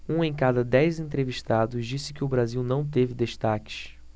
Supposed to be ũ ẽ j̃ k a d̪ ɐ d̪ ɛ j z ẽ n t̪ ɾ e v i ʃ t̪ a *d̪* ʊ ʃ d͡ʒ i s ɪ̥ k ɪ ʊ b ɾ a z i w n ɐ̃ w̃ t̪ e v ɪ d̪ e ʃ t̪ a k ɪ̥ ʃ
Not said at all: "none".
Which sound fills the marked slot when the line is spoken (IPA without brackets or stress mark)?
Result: d̪